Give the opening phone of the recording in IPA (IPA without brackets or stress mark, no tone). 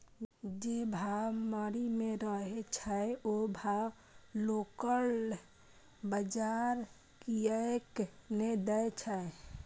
d͡ʒ